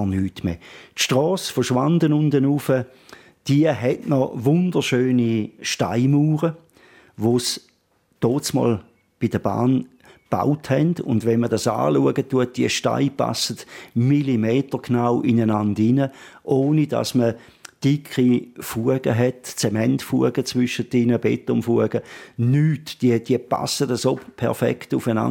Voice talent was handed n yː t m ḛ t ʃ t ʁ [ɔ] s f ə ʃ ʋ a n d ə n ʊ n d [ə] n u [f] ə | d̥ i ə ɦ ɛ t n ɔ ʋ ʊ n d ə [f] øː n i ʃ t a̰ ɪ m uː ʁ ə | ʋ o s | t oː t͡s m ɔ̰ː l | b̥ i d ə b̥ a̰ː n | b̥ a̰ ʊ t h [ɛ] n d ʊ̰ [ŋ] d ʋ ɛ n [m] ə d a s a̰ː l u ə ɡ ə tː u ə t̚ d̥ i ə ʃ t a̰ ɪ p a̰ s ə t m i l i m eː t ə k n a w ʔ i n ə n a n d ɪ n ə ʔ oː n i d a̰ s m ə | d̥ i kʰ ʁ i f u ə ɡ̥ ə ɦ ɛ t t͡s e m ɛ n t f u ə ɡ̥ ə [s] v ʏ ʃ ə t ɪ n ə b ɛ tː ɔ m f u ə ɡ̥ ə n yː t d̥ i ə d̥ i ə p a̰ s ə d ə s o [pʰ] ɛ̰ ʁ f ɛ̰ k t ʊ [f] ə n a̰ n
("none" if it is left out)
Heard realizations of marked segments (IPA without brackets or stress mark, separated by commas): ɔː, ə, f, ʃ, ɛ, n, m, t͡s, pʰ, f